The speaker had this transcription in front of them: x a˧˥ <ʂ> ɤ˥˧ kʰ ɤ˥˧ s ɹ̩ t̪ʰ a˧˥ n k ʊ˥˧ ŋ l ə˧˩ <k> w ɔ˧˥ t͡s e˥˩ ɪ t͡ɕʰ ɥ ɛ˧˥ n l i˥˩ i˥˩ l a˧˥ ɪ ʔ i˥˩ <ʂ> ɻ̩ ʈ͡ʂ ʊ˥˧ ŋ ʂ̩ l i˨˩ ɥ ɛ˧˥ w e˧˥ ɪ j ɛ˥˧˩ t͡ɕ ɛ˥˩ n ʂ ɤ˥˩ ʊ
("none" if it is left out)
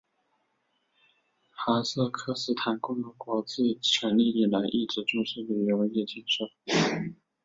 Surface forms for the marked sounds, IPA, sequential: s, k, ʈ͡ʂ

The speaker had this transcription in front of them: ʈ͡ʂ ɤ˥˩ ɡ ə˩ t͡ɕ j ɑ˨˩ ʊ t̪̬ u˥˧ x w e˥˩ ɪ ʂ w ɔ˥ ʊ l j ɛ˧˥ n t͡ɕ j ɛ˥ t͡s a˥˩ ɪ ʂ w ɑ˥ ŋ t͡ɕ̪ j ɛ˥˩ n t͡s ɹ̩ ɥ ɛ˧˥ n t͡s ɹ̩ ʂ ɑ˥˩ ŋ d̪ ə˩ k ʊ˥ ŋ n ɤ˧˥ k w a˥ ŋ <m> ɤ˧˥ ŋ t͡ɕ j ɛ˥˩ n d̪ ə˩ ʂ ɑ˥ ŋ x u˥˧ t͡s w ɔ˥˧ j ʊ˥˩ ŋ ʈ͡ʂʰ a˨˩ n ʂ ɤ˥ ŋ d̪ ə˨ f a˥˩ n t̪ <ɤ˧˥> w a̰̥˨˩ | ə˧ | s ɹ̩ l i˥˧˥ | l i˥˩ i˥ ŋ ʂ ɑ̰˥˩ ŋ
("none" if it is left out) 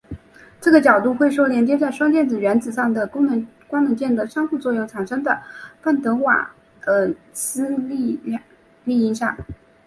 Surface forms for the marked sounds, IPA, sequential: n, ɤ˧˥

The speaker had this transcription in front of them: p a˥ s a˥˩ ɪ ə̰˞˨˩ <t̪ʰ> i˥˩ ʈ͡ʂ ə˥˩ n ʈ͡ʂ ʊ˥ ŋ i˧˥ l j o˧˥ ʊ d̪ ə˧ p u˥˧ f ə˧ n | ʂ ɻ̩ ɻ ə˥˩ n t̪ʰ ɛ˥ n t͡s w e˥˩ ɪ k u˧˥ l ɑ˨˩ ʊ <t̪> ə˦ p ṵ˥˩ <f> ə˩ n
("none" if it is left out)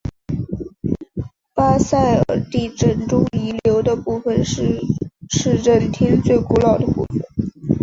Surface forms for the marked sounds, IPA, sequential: t̪, d̪, f

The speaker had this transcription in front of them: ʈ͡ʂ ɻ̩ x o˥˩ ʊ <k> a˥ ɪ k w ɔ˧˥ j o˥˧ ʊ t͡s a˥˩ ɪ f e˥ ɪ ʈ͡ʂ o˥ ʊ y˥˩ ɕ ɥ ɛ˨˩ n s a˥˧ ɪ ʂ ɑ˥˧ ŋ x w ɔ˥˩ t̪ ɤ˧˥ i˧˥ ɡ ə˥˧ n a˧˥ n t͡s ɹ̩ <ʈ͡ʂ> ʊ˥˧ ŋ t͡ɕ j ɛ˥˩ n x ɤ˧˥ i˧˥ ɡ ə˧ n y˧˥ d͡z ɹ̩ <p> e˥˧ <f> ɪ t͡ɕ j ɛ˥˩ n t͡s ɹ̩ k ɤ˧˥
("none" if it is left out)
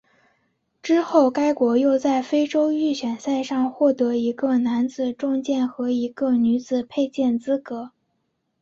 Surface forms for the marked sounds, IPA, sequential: k, ʈ͡ʂ, pʰ, none

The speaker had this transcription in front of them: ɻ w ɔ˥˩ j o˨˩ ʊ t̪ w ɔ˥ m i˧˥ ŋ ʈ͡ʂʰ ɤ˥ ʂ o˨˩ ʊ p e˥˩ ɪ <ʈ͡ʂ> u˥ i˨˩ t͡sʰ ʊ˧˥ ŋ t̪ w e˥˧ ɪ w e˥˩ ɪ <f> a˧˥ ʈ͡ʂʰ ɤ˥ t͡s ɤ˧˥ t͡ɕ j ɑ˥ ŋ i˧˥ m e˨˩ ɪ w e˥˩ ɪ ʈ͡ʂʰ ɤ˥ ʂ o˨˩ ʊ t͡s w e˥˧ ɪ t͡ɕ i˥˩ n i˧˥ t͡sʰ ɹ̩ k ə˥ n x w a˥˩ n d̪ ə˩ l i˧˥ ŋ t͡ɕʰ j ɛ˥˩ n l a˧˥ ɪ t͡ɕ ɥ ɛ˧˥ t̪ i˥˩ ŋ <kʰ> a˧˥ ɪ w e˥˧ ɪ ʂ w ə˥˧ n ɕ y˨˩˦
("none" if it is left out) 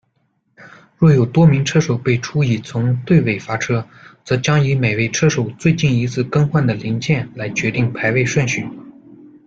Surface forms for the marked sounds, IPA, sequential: ʈ͡ʂʰ, f, pʰ

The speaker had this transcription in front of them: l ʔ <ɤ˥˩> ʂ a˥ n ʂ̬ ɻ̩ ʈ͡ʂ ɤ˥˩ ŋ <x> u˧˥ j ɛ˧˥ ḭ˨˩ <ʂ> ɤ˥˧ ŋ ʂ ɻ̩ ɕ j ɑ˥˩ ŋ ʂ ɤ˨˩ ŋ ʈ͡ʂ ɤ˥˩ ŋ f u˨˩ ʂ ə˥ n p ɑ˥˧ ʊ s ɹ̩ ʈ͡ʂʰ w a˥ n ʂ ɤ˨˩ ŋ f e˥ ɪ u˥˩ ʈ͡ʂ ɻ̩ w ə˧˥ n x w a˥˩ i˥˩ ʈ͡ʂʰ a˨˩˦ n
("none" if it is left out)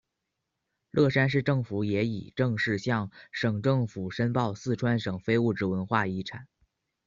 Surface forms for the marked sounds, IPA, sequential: ɤ˥˩, f, ʈ͡ʂ

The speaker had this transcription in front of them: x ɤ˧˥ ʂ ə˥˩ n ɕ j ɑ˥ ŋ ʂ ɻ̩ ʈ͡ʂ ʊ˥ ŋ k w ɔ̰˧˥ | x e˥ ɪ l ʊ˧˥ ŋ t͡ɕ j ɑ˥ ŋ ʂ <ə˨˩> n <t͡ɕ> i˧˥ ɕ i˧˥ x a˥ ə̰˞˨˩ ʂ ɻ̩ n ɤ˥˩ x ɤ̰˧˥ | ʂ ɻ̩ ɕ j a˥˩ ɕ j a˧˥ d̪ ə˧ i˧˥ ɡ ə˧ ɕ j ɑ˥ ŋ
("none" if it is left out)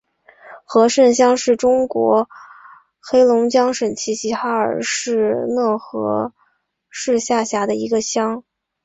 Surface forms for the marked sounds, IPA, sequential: ə˨˩, t͡ɕʰ

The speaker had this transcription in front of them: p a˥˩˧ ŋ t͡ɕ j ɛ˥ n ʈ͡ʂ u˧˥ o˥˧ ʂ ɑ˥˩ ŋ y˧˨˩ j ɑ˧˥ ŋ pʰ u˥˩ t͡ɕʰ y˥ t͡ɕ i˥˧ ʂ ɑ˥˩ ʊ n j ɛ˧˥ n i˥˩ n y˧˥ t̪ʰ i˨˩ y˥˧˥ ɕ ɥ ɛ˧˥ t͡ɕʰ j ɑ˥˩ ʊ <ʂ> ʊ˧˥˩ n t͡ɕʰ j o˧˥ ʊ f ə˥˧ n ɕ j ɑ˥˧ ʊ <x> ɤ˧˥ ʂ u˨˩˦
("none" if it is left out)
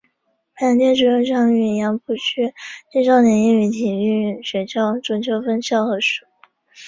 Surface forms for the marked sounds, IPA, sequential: ʈ͡ʂ, x

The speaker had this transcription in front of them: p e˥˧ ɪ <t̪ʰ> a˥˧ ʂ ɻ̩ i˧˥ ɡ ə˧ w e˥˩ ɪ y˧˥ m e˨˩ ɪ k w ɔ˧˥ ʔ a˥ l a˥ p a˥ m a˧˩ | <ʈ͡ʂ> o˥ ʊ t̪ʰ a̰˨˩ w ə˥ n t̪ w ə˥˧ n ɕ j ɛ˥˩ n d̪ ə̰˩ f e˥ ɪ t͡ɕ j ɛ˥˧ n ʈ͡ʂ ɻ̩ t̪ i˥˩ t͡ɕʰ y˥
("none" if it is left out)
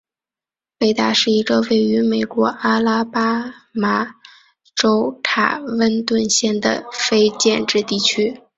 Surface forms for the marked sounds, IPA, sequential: t̪, ʈ͡ʂ

